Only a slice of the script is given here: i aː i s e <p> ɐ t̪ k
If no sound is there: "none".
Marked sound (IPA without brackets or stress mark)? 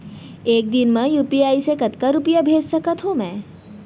k